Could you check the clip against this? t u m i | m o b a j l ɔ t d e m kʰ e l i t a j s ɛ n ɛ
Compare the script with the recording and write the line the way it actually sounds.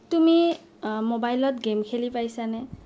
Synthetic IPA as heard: t u m i | m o b a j l ɔ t ɡ e m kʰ e l i p a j s a n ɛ

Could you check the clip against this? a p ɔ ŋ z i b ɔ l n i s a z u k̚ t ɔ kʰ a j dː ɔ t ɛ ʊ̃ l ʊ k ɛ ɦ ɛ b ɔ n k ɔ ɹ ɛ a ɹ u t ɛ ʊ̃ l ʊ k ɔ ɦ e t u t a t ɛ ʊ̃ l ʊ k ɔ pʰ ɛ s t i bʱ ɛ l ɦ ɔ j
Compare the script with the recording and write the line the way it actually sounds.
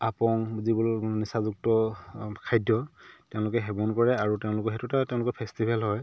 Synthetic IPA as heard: a p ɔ ŋ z i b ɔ l n i s a z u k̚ t ɔ kʰ a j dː ɔ t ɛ ʊ̃ l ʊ k ɛ ɦ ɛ b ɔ n k ɔ ɹ ɛ a ɹ u t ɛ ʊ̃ l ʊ k ɔ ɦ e t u t a t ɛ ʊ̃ l ʊ k ɔ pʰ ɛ s t i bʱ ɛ l ɦ ɔ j

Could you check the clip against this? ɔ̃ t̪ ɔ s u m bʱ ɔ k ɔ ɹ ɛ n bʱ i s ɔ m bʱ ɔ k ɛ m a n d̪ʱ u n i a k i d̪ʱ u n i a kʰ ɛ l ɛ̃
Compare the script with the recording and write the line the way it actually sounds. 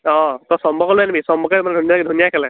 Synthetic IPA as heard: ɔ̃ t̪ ɔ s ɔ m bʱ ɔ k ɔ l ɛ n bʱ i s ɔ m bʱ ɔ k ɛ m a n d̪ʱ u n j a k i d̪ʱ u n j a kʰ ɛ l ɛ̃

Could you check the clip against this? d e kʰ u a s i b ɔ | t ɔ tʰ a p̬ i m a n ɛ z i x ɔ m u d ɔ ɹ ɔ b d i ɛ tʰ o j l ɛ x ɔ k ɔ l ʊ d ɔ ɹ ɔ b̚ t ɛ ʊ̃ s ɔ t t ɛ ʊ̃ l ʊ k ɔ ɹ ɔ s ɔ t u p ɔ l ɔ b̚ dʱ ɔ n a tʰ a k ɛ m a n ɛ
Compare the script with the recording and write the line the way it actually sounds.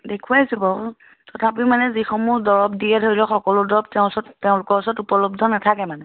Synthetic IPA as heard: d e kʰ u a s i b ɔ | t ɔ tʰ a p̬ i m a n ɛ z i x ɔ m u d ɔ ɹ ɔ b d i ɛ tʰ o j l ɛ x ɔ k ɔ l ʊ d ɔ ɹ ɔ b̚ t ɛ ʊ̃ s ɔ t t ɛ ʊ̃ l ʊ k ɔ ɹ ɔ s ɔ t u p ɔ l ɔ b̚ dʱ ɔ n a tʰ a k ɛ m a n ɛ

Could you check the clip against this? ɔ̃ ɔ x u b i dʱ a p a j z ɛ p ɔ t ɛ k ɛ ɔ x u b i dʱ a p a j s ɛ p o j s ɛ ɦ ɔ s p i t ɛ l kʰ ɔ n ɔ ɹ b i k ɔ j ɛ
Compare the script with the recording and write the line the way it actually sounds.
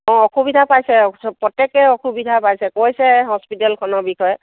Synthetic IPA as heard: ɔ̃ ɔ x u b i dʱ a p a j s ɛ p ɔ t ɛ k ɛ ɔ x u b i dʱ a p a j s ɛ k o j s ɛ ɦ ɔ s p i t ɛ l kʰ ɔ n ɔ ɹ b i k ɔ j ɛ

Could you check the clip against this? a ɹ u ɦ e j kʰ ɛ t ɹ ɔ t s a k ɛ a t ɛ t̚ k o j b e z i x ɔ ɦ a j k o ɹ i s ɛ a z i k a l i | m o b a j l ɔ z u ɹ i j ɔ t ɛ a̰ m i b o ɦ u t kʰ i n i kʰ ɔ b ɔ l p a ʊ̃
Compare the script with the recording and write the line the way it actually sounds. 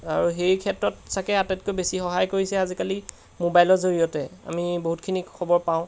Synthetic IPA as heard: a ɹ u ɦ e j kʰ ɛ t ɹ ɔ t s a k ɛ a t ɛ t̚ k o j b e s i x ɔ ɦ a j k o ɹ i s ɛ a z i k a l i | m o b a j l ɔ z o ɹ i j ɔ t ɛ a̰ m i b o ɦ u t kʰ i n i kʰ ɔ b ɔ ɹ p a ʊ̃

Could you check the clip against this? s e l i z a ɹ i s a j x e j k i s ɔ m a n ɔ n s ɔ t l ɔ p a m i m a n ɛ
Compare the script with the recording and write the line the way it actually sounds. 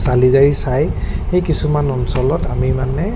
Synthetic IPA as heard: s a l i z a ɹ i s a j x e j k i s u m a n ɔ n s ɔ l ɔ t a m i m a n ɛ

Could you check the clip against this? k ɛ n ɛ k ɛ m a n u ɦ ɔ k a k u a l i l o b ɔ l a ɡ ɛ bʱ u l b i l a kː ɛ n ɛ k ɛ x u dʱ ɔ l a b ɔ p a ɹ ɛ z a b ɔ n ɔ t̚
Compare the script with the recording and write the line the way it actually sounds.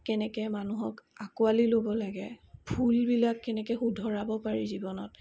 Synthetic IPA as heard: k ɛ n ɛ k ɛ m a n u ɦ ɔ k a k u a l i l o b ɔ l a ɡ ɛ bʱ u l b i l a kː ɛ n ɛ k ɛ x u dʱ ɔ ɹ a b ɔ p a ɹ i z i b ɔ n ɔ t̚

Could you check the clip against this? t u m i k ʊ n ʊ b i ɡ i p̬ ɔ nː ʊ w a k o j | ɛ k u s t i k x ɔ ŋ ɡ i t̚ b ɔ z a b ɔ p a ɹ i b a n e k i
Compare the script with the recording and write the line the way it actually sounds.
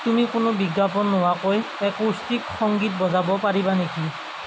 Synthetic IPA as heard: t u m i k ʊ n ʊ b i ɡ a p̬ ɔ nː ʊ w a k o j | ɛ k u s t i k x ɔ ŋ ɡ i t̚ b ɔ z a b ɔ p a ɹ i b a n e k i

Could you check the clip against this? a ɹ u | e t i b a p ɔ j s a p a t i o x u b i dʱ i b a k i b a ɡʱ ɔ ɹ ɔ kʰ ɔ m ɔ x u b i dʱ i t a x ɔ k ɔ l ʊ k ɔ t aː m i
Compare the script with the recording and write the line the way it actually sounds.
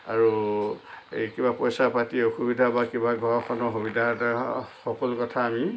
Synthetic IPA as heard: a ɹ u | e k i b a p ɔ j s a p a t i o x u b i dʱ a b a k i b a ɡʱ ɔ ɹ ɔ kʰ ɔ n ɔ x u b i dʱ a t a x ɔ k ɔ l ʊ k ɔ tʰ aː m i

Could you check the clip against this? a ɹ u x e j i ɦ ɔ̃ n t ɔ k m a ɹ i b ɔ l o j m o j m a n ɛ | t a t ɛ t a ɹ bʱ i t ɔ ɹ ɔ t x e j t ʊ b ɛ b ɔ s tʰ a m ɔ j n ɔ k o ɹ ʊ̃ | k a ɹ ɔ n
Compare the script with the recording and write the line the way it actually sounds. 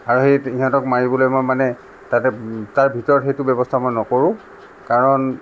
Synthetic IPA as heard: a ɹ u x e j i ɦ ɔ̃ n t ɔ k m a ɹ i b ɔ l o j m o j m a n ɛ | t a t ɛ t a ɹ bʱ i t ɔ ɹ ɔ t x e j t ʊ b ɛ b ɔ s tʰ a m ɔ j n ɔ k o ɹ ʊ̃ | k a ɹ ɔ n

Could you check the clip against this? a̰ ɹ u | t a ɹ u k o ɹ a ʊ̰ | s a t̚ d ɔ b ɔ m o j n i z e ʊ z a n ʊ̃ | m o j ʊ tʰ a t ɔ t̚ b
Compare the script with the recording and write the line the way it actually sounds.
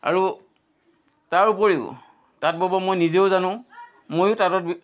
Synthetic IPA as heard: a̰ ɹ u | t a ɹ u p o ɹ i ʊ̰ | t a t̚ b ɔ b ɔ m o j n i z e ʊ z a n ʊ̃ | m o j ʊ t a t ɔ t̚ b

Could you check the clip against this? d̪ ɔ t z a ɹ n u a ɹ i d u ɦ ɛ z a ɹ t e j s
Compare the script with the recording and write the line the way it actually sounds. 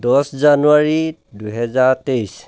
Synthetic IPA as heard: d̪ ɔ s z a n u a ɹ i d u ɦ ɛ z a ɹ t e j s

